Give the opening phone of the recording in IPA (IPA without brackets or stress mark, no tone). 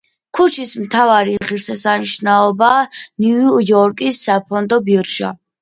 kʰ